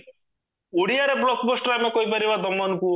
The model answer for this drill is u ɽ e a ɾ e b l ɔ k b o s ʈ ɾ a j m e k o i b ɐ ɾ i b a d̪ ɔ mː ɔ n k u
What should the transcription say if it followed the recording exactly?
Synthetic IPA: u ɽ i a ɾ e b l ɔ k b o s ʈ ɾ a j m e k o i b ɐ ɾ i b a d̪ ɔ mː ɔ n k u